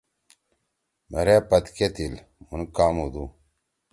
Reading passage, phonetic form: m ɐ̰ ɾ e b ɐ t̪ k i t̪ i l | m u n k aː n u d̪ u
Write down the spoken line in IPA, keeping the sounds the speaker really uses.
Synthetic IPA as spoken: m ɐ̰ ɾ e p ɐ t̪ k e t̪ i l | m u n k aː m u d̪ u